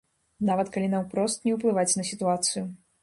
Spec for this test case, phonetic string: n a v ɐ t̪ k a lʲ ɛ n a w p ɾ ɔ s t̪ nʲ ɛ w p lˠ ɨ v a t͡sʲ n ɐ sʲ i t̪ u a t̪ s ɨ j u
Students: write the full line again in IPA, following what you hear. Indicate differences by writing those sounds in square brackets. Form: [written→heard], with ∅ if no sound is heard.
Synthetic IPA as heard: n a v ɐ t̪ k a lʲ [ɛ→i] n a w p ɾ ɔ s t̪ nʲ ɛ w p lˠ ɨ v a t͡sʲ n ɐ sʲ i t̪ u a t̪ s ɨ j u